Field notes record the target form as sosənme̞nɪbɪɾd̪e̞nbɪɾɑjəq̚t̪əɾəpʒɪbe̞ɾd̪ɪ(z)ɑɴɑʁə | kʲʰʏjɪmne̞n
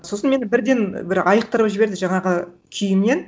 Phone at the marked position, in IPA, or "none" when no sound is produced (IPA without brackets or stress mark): ʒ